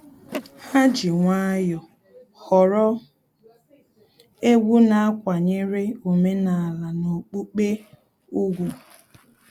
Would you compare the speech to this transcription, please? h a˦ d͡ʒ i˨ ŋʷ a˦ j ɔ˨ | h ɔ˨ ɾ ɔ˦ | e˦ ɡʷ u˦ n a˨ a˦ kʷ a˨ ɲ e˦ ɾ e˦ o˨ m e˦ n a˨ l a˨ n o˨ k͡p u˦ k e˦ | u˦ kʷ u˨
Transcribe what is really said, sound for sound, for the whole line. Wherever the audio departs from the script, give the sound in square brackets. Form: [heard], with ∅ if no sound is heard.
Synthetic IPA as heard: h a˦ d͡ʒ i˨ ŋʷ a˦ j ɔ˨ | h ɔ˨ ɾ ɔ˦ | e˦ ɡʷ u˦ n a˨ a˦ kʷ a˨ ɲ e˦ ɾ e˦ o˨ m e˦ n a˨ l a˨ n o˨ k͡p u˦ [k͡p] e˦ | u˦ [ɡʷ] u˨

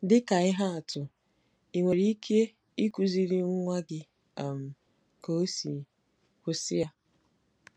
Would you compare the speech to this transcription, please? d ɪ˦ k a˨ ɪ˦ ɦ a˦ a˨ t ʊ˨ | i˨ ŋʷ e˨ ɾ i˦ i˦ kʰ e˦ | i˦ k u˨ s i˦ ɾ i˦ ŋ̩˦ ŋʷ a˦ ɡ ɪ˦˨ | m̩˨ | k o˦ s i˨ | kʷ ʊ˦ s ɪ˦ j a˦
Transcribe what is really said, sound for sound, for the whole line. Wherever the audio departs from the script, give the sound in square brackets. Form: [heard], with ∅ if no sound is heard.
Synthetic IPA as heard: d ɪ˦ k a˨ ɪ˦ ɦ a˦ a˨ t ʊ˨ | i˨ ŋʷ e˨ ɾ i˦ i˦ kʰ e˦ | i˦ k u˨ [z] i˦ ɾ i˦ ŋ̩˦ ŋʷ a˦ ɡ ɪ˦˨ | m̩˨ | k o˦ s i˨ | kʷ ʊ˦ s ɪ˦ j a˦

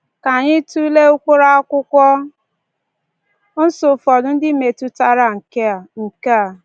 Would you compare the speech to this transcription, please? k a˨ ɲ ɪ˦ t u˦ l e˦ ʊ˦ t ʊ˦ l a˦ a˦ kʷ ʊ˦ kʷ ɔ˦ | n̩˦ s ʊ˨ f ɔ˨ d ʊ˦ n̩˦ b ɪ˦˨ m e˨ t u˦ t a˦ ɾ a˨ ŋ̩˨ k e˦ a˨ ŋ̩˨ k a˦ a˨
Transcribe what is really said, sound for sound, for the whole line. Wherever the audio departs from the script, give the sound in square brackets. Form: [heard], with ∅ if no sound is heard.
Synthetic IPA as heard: k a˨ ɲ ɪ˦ t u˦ l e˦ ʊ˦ [k] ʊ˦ [ɾ] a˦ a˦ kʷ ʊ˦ kʷ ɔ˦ | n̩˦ s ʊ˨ f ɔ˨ d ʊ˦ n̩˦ [d] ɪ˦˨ m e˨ t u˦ t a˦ ɾ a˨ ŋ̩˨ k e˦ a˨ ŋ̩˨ k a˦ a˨

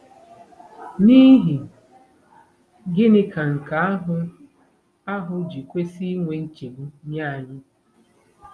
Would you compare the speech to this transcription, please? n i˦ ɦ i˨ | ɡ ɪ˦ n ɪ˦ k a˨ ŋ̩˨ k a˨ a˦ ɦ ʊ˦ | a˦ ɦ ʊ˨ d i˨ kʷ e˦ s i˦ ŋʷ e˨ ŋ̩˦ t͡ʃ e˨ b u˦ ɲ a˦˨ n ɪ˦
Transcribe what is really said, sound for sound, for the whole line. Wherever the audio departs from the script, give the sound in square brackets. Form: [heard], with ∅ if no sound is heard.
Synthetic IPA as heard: n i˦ ɦ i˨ | ɡ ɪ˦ n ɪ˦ k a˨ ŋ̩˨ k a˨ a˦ ɦ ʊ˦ | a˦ ɦ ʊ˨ [d͡ʒ] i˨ kʷ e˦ s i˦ ŋʷ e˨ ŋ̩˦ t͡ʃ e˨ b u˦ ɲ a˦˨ [ɲ] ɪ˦

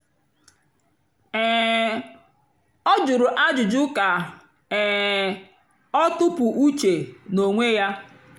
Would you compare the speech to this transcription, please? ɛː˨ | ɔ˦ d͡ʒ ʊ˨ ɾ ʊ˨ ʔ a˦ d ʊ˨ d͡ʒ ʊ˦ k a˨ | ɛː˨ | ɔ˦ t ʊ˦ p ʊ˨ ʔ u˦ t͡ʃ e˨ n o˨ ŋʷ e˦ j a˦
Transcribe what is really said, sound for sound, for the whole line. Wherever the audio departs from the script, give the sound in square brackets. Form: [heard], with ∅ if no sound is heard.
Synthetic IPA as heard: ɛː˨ | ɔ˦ d͡ʒ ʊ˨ ɾ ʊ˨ ʔ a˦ [d͡ʒ] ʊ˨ d͡ʒ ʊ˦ k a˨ | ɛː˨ | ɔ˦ t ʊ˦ p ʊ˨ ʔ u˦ t͡ʃ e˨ n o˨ ŋʷ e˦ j a˦

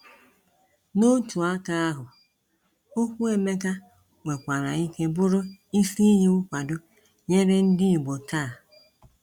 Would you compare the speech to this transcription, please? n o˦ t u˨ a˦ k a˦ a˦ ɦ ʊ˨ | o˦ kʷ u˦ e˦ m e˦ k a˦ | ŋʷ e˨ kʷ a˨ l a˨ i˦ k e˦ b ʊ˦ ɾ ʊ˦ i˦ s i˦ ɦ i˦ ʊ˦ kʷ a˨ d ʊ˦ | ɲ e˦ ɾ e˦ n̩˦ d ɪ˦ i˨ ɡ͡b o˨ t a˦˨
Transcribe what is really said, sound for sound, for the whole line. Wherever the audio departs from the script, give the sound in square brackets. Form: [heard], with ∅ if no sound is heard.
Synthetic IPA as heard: n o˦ t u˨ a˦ k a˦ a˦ ɦ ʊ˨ | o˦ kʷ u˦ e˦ m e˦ k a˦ | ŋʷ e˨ kʷ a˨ [ɾ] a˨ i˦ k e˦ b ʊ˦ ɾ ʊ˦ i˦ s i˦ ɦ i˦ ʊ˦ kʷ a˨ d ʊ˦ | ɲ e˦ ɾ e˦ n̩˦ d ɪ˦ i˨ ɡ͡b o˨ t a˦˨

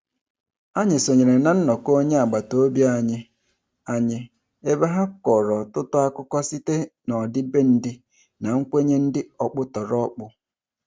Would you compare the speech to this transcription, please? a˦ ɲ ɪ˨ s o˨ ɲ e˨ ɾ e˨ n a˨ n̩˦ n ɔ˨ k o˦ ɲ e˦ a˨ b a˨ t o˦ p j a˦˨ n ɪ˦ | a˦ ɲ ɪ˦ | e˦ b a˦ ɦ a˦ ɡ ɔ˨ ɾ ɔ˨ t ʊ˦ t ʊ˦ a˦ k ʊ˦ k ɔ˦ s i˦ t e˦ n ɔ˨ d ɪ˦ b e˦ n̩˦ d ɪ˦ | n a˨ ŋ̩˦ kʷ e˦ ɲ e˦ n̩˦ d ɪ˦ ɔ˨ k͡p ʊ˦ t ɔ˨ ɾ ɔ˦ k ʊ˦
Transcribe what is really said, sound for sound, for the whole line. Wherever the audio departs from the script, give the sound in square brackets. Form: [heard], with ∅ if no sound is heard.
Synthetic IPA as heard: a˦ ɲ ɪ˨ s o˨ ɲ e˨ ɾ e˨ n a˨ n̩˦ n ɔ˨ k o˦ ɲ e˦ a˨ [ɡ͡b] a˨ t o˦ [b] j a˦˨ [ɲ] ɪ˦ | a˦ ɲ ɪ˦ | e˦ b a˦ ɦ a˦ [k] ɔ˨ ɾ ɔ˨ t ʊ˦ t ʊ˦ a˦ k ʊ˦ k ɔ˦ s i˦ t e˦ n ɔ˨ d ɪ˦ b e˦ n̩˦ d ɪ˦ | n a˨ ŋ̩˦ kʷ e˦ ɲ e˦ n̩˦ d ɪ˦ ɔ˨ k͡p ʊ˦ t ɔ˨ ɾ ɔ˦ [k͡p] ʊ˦

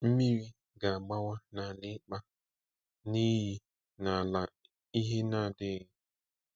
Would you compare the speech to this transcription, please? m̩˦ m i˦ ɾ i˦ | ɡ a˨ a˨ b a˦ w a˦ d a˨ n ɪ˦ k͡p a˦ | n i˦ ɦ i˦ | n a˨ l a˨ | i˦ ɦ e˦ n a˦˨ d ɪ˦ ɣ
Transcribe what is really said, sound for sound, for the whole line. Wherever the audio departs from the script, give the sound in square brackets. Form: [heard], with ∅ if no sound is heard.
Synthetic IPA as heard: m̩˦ m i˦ ɾ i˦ | ɡ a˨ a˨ [ɡ͡b] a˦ w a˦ [n] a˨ n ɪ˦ k͡p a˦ | n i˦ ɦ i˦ | n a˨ l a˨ | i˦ ɦ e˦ n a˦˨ d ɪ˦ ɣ

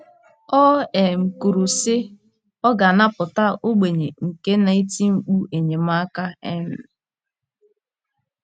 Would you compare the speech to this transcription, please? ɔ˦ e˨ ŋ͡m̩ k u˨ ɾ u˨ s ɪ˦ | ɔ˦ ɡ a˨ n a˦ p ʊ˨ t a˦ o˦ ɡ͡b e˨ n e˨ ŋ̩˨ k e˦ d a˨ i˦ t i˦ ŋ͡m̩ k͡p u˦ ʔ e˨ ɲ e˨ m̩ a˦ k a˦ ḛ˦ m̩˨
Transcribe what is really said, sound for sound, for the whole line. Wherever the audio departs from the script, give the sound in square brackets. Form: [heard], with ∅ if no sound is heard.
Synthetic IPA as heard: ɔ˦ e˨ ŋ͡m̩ k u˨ ɾ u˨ s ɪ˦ | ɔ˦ ɡ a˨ n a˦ p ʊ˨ t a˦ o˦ ɡ͡b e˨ [ɲ] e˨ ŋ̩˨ k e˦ [n] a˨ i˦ t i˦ ŋ͡m̩ k͡p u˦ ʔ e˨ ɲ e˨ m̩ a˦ k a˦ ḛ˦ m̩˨

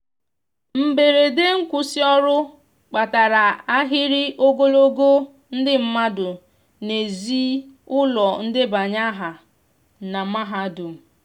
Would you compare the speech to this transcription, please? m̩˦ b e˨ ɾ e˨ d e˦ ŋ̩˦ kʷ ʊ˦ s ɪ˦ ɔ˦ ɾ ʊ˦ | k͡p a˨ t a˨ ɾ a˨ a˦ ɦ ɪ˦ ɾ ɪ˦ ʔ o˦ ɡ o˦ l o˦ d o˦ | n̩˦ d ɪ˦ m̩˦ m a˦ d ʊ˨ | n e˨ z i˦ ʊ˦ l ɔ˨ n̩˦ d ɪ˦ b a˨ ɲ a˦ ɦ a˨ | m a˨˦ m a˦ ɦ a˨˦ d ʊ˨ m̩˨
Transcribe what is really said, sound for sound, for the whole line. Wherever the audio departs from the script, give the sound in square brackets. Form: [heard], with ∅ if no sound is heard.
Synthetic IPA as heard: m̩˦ b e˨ ɾ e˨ d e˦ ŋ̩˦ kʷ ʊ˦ s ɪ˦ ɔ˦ ɾ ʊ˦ | k͡p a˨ t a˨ ɾ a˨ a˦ ɦ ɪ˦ ɾ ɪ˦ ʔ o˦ ɡ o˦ l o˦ [ɡ] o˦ | n̩˦ d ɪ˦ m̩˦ m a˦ d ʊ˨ | n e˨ z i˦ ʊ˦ l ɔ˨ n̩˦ d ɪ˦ b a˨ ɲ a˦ ɦ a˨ | [n] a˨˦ m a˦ ɦ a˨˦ d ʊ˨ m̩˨

